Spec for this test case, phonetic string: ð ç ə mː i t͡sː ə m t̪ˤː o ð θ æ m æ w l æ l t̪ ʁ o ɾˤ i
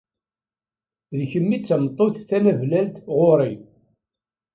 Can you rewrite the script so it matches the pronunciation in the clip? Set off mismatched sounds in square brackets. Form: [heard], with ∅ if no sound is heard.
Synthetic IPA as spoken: ð ç ə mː i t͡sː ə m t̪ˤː o [θ] θ æ m æ [v] l æ l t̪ ʁ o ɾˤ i